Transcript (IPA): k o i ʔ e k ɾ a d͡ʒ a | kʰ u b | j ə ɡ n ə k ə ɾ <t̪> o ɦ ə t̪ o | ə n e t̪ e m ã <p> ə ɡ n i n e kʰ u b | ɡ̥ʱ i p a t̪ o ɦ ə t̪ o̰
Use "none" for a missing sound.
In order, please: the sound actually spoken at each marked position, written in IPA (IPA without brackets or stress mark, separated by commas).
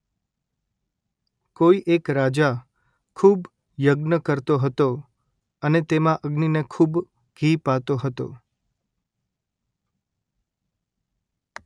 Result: t̪, ʔ